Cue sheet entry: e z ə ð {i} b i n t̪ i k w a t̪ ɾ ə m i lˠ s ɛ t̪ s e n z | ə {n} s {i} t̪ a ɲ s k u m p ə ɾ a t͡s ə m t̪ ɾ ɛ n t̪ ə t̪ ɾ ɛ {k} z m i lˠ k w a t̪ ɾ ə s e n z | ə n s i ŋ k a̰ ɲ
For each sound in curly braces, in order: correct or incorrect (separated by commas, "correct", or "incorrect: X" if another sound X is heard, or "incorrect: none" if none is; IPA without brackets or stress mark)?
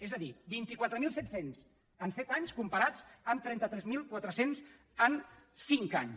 correct, correct, incorrect: ɛ, incorrect: none